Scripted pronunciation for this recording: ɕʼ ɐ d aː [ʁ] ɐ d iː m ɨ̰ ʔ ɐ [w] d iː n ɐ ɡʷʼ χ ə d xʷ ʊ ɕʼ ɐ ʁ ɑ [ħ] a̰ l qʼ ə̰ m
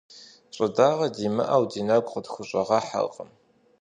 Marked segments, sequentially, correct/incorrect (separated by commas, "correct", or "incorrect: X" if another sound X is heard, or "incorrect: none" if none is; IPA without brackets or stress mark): correct, correct, correct